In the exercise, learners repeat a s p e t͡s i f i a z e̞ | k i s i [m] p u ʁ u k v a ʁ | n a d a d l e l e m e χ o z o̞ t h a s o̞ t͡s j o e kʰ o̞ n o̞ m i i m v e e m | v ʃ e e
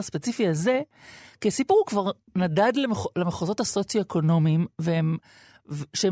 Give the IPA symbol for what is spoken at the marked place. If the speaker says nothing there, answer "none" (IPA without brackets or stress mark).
none